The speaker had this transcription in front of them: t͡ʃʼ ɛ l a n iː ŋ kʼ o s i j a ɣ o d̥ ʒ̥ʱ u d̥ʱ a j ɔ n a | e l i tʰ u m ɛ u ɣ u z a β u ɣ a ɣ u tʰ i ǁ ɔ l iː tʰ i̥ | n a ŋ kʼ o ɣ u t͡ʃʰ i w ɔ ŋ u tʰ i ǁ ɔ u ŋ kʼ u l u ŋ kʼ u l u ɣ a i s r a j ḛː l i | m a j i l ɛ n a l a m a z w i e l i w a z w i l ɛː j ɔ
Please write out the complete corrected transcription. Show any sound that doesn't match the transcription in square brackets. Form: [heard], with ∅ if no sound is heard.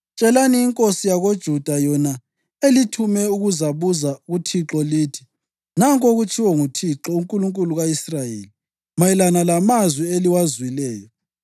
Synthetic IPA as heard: t͡ʃʼ ɛ l a n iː ŋ kʼ o s i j a ɣ o d̥ ʒ̥ʱ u d̥ʱ a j ɔ n a | e l i tʰ u m ɛ u ɣ u z a β u [z] a ɣ u tʰ i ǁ ɔ l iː tʰ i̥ | n a ŋ kʼ o ɣ u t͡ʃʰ i w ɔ ŋ u tʰ i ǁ ɔ u ŋ kʼ u l u ŋ kʼ u l u ɣ a i s r a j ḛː l i | m a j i l [a] n a l a m a z w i e l i w a z w i l ɛː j ɔ